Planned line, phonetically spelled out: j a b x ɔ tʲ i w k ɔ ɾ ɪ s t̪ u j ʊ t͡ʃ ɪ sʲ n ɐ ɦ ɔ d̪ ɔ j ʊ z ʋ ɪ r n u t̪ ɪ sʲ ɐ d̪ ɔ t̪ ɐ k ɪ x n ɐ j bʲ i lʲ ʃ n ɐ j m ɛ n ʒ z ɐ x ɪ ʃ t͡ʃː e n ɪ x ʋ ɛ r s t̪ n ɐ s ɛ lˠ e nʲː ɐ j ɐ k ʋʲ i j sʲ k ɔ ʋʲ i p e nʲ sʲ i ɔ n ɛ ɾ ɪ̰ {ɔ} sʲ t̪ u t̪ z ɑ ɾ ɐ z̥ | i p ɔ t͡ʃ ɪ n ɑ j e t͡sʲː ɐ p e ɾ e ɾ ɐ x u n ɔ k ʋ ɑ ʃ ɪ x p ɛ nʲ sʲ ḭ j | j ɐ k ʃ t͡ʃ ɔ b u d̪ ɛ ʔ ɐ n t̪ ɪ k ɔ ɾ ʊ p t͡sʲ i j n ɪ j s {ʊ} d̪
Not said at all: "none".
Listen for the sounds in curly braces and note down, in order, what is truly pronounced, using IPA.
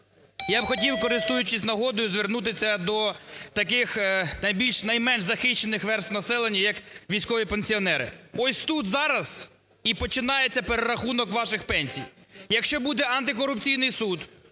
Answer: ɔ, u

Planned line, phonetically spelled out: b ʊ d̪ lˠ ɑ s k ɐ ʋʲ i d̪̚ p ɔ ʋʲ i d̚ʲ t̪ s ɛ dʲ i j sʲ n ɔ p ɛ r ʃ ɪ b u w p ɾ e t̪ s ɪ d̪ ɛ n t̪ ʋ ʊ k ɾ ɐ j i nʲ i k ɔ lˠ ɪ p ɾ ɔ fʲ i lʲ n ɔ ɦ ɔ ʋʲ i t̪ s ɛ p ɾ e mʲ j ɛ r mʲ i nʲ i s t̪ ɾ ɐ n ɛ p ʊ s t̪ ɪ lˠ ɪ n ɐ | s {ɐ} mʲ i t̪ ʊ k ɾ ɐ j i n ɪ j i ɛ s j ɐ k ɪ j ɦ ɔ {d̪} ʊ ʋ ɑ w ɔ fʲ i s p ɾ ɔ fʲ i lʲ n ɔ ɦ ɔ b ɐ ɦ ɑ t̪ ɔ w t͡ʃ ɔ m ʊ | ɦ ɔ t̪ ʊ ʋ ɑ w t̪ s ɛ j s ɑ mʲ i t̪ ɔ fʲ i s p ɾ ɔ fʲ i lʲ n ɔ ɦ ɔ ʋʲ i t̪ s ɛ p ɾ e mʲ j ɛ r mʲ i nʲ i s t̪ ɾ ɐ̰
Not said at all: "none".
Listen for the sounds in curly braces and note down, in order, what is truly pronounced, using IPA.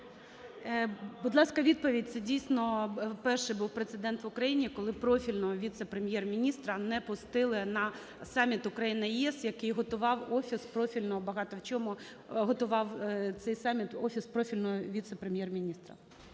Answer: ɑ, t̪

